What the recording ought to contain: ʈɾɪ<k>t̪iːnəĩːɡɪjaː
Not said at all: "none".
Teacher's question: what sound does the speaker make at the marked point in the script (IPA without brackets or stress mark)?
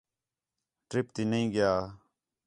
p